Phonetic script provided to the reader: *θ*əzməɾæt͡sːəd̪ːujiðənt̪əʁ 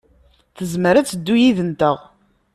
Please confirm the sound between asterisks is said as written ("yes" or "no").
yes